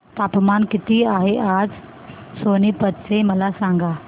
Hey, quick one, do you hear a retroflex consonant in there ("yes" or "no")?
no